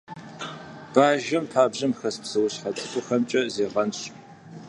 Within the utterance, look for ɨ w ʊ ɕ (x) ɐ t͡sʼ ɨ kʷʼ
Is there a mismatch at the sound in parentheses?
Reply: yes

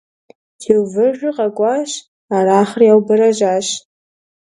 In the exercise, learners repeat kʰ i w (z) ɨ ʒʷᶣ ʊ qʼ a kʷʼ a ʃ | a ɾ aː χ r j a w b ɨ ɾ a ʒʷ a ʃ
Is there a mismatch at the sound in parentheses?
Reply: yes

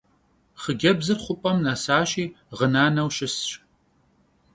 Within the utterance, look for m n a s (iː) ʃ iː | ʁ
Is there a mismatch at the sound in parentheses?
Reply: yes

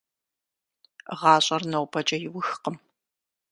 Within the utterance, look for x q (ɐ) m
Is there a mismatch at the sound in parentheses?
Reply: yes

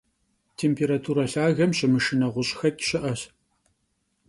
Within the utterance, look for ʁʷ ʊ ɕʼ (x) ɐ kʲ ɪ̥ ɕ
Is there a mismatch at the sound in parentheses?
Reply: no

